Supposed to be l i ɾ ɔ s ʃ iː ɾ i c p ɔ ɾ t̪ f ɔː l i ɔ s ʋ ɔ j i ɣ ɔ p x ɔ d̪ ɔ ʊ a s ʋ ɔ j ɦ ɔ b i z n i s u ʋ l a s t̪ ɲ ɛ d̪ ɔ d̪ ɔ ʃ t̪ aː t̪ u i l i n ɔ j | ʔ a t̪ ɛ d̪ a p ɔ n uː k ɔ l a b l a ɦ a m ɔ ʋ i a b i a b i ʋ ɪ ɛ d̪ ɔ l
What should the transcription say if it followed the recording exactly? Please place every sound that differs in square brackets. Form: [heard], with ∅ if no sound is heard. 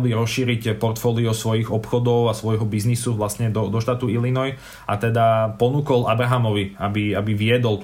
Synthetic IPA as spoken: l i ɾ ɔ s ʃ iː ɾ i c p ɔ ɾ t̪ f ɔː l i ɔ s ʋ ɔ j i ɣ ɔ p x ɔ d̪ ɔ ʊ a s ʋ ɔ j ɦ ɔ b i z n i s u ʋ l a s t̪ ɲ ɛ d̪ ɔ d̪ ɔ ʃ t̪ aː t̪ u i l i n ɔ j | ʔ a t̪ ɛ d̪ a p ɔ n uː k ɔ l a b [ɾ] a ɦ a m ɔ ʋ i a b i a b i ʋ ɪ ɛ d̪ ɔ l